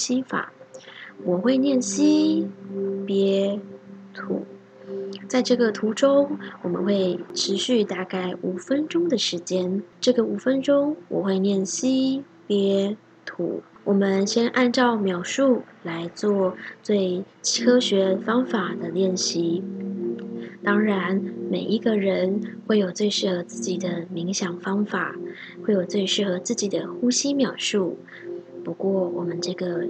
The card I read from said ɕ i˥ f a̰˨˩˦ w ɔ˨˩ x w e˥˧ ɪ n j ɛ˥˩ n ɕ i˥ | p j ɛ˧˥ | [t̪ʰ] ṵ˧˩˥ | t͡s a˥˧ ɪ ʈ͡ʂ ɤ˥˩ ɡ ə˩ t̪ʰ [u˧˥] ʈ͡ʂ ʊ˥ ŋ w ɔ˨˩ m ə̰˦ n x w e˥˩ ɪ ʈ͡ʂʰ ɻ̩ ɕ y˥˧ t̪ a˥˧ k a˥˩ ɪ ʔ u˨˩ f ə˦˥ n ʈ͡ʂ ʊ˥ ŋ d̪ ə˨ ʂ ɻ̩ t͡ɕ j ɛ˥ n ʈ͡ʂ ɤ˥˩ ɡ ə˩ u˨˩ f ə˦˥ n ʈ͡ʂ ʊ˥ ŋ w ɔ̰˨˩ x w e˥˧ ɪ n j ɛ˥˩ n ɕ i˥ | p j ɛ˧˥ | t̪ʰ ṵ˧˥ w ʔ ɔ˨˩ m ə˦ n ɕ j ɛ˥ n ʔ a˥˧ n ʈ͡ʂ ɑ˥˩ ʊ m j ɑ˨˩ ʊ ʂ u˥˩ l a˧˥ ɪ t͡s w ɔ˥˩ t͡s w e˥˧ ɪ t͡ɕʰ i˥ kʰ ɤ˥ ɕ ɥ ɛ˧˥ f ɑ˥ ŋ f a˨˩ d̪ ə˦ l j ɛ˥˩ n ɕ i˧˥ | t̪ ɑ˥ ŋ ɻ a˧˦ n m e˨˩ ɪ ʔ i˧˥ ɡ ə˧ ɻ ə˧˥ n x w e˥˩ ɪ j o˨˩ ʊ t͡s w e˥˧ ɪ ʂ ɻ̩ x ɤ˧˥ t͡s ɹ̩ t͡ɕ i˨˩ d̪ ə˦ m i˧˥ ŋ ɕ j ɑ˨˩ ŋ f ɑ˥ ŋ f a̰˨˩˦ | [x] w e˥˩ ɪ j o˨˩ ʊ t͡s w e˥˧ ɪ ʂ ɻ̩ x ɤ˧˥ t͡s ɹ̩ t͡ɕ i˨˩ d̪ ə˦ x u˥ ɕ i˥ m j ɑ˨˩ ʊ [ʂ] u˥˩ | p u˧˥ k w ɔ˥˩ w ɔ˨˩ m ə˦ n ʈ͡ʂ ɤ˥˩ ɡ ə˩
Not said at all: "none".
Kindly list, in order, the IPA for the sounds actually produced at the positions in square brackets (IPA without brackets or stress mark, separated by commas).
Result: t̪ʰ, u˧˥, x, ʂ